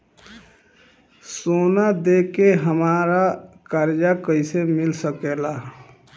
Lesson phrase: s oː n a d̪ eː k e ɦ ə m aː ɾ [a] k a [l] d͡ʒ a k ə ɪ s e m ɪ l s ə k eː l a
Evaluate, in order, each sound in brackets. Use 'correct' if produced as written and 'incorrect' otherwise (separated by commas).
correct, incorrect